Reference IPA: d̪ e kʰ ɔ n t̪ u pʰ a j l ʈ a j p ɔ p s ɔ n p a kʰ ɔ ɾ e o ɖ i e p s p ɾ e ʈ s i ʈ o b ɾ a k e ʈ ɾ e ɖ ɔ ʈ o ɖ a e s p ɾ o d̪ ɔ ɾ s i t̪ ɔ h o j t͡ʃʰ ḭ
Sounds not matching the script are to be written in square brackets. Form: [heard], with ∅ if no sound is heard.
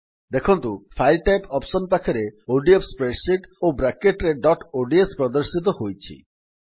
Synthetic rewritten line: d̪ e kʰ ɔ n t̪ u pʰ a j l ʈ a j p ɔ p s ɔ n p a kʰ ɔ ɾ e o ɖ i e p s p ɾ e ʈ s i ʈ o b ɾ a k e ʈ ɾ e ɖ ɔ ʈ o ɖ [i] e s p ɾ [ɔ] d̪ ɔ ɾ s i t̪ ɔ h o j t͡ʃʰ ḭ